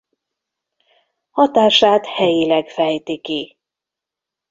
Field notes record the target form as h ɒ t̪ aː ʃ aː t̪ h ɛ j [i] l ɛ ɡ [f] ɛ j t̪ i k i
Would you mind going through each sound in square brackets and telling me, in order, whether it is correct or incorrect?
correct, correct

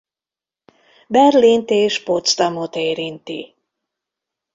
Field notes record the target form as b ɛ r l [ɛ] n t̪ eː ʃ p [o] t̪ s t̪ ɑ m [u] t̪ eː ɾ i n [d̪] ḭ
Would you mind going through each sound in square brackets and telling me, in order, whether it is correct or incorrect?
incorrect, correct, incorrect, incorrect

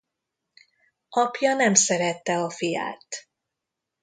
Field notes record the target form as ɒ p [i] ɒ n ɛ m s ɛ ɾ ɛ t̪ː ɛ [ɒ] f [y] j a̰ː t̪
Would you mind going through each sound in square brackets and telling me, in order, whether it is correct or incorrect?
incorrect, correct, incorrect

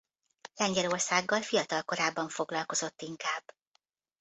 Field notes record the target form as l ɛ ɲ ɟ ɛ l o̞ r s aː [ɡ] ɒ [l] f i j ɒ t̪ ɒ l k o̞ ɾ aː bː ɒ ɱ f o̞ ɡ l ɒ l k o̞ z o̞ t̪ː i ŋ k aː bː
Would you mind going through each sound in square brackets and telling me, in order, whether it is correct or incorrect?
incorrect, correct

